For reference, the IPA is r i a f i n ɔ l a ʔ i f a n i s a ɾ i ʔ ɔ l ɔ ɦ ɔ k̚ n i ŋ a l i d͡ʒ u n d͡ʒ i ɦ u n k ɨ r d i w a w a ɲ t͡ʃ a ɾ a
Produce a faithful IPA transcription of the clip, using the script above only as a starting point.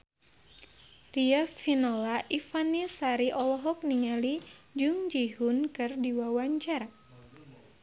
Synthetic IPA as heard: r i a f i n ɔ l a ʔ i f a n i s a ɾ i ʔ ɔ l ɔ ɦ ɔ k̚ n i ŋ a l i d͡ʒ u ŋ d͡ʒ i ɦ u n k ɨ r d i w a w a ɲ t͡ʃ a ɾ a